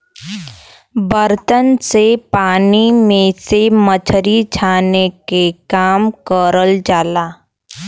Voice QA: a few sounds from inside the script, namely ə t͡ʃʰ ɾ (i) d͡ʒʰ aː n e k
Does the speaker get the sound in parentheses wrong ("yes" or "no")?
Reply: no